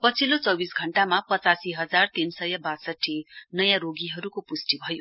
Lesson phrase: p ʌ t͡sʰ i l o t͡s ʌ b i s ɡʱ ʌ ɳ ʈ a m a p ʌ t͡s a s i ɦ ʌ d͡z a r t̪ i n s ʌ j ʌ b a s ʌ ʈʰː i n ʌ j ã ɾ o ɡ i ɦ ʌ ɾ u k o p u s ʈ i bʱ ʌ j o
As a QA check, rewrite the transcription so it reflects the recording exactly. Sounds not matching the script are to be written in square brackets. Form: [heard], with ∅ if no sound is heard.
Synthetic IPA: p ʌ t͡sʰ i l o t͡s ʌ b i s ɡʱ ʌ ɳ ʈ a m a p ʌ t͡s a s i ɦ ʌ d͡z a r t̪ i n s ʌ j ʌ b a s ʌ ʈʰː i n ʌ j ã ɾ o ɡ i ɦ ʌ ɾ u k o p u s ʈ i bʱ ʌ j o